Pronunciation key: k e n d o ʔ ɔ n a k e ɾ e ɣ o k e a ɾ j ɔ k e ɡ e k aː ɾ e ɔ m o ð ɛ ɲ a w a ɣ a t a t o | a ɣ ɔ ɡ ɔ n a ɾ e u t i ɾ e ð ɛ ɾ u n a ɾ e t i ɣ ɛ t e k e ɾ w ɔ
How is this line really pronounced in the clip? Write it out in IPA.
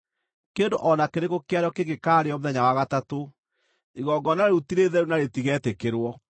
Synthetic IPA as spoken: k e n d o ʔ ɔ n a k e ɾ e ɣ o k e a ɾ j ɔ k e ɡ e k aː ɾ e ɔ m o ð ɛ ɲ a w a ɣ a t a t o | i ɣ ɔ ɡ ɔ n a ɾ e u t i ɾ e ð ɛ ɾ u n a ɾ e t i ɣ ɛ t e k e ɾ w ɔ